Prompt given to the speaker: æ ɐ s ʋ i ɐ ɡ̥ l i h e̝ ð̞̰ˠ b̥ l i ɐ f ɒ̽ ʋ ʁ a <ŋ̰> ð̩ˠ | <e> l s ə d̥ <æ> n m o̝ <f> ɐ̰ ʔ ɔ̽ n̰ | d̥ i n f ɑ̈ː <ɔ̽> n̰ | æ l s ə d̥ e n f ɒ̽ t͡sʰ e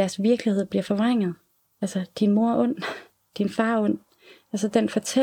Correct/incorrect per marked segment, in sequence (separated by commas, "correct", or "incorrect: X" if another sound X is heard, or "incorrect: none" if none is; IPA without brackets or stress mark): correct, incorrect: æ, incorrect: i, incorrect: none, correct